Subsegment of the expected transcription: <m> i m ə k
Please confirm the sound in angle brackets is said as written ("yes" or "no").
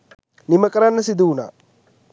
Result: no